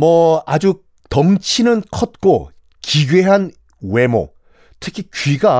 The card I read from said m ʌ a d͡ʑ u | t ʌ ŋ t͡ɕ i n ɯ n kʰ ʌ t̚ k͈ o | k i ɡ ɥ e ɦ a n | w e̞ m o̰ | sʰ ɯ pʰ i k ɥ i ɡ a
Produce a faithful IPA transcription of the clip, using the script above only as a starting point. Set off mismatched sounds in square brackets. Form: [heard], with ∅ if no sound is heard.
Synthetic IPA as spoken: m ʌ a d͡ʑ u | t ʌ ŋ [t͡ɕʰ] i n ɯ n kʰ ʌ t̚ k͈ o | k i ɡ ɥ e ɦ a n | w e̞ m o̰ | [tʰ] ɯ [kʰ] i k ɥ i ɡ a